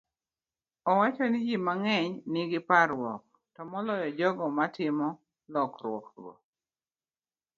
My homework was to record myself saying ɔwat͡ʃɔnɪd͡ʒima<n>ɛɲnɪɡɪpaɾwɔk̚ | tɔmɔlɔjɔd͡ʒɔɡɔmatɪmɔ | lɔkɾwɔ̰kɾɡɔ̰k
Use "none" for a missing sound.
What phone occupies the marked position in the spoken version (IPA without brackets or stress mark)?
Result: ŋ